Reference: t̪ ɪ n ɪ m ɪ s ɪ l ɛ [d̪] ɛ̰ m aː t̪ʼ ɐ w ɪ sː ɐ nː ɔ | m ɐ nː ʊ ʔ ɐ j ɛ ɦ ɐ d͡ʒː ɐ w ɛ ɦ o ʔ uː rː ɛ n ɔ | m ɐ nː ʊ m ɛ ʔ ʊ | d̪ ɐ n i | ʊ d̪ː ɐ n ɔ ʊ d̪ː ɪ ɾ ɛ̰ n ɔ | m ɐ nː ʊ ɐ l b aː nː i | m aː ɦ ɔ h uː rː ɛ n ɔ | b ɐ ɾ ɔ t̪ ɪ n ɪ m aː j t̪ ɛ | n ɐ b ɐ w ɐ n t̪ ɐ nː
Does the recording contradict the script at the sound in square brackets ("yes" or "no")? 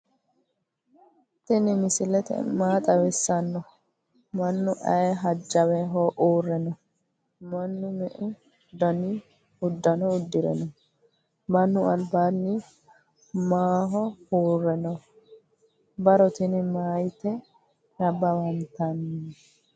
yes